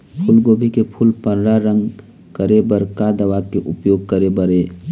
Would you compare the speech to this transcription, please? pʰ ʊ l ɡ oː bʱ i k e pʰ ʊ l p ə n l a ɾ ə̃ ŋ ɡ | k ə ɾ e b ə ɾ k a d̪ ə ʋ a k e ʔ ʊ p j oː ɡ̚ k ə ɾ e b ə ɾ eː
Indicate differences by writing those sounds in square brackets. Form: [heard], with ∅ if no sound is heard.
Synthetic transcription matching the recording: pʰ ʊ l ɡ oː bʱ i k e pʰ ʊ l p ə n [ɾ] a ɾ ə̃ ŋ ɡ | k ə ɾ e b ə ɾ k a d̪ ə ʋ a k e ʔ ʊ p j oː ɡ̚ k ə ɾ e b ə ɾ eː